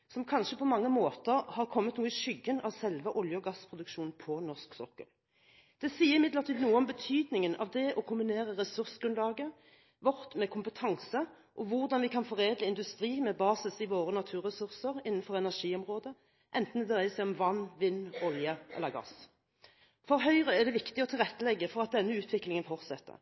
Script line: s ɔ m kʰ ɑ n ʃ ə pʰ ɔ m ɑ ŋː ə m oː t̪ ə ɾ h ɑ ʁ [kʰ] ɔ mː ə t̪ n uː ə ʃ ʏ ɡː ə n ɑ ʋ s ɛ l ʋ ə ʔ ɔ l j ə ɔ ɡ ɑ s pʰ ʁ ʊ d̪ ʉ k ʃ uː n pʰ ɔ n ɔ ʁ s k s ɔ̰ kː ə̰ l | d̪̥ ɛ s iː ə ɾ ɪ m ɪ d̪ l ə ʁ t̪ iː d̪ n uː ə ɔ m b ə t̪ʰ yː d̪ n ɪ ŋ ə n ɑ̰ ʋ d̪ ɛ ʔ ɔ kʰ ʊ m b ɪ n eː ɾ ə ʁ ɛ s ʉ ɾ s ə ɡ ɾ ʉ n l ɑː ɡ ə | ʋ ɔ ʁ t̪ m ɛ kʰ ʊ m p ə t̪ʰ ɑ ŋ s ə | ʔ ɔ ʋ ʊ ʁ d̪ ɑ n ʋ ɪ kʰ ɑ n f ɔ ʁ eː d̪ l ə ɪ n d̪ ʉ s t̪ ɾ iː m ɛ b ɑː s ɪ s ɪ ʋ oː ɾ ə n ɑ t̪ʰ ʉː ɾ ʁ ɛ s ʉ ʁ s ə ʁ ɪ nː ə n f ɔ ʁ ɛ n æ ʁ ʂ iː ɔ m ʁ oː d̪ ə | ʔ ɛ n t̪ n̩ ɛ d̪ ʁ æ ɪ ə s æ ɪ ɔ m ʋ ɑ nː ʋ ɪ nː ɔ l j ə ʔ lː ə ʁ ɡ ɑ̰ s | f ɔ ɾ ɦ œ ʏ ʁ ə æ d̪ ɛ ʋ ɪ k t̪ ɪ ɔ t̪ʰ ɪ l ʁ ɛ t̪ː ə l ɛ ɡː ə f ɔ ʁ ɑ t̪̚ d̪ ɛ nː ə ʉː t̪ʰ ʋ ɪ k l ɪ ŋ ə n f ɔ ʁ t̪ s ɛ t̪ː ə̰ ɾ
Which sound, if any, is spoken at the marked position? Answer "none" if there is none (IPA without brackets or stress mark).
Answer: kʰ